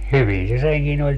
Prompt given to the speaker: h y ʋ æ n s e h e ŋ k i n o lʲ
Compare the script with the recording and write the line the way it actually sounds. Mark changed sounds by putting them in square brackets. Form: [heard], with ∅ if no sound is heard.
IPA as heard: h y ʋ [i] n s e [s] e ŋ k i n o lʲ